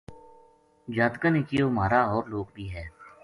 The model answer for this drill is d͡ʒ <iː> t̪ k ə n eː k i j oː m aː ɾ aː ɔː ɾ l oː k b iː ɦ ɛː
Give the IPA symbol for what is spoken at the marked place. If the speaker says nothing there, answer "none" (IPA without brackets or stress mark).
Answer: aː